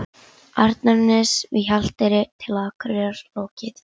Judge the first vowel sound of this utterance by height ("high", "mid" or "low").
low